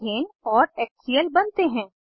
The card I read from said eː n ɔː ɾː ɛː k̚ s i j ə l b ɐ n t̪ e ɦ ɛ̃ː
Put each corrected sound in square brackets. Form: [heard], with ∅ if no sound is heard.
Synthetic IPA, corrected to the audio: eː n ɔː [ɾ] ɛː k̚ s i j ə l b ɐ n t̪ e ɦ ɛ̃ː

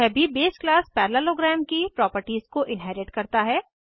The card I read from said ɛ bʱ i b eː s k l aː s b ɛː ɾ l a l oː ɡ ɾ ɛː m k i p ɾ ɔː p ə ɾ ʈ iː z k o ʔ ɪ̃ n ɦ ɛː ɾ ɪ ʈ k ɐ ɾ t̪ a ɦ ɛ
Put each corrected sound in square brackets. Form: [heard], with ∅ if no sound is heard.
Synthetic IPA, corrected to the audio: ɛ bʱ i b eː s k l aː s [p] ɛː ɾ l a l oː ɡ ɾ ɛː m k i p ɾ ɔː p ə ɾ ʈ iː z k o ʔ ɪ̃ n ɦ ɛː ɾ ɪ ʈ k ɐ ɾ t̪ a ɦ [ɛː]

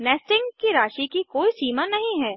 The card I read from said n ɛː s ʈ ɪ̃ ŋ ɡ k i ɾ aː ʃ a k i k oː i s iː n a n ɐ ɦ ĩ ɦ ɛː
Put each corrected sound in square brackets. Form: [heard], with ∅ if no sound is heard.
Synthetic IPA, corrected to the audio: n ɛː s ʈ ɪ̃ ŋ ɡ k i ɾ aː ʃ [i] k i k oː i s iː [m] a n ɐ ɦ ĩ ɦ ɛː

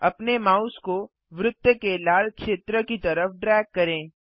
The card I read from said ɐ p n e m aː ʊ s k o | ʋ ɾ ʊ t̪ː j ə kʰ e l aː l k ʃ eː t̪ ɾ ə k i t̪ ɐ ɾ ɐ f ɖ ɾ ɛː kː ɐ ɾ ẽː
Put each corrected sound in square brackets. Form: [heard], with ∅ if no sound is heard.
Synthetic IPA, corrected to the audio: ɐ p n e m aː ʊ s k o | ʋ ɾ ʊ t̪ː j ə [k] e l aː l k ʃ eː t̪ ɾ ə k i t̪ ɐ ɾ [ə] f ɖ ɾ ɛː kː ɐ ɾ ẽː

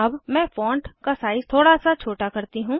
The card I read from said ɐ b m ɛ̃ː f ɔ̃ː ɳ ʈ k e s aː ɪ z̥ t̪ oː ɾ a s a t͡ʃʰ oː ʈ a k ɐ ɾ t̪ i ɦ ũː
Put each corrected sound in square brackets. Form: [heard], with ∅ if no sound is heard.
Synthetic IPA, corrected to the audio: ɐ b m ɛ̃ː f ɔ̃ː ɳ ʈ k [a] s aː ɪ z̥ [t̪ʰ] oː [ɽ] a s a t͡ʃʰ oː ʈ a k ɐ ɾ t̪ i ɦ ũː

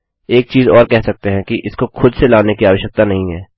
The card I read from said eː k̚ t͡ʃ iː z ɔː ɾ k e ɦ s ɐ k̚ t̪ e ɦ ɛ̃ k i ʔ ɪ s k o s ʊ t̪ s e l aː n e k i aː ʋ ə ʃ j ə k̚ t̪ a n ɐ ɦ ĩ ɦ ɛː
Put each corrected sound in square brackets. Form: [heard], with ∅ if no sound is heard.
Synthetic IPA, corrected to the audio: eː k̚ t͡ʃ iː z ɔː ɾ k [ɛ] ɦ s ɐ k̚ t̪ e ɦ ɛ̃ k i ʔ ɪ s k o [x] ʊ [d̪] s e l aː n e k i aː ʋ ə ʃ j ə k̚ t̪ a n ɐ ɦ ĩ ɦ ɛː

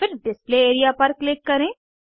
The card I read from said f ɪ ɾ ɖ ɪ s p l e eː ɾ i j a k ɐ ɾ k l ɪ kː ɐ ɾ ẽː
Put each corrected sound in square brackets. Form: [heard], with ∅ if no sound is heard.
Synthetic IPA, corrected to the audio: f ɪ ɾ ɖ ɪ s p l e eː ɾ i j a [p] ɐ ɾ k l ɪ kː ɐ ɾ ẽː

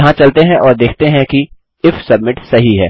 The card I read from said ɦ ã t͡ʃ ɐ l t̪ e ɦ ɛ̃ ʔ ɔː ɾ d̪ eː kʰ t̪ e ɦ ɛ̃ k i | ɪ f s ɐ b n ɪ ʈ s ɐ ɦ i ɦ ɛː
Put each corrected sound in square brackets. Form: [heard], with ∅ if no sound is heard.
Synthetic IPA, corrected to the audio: ɦ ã t͡ʃ ɐ l t̪ e ɦ ɛ̃ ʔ ɔː ɾ d̪ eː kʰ t̪ e ɦ ɛ̃ k i | ɪ f s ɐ b [m] ɪ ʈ s ɐ ɦ i ɦ ɛː

